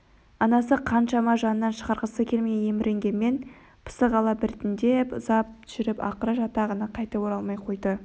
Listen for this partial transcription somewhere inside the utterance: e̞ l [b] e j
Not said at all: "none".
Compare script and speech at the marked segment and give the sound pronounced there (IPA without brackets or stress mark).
m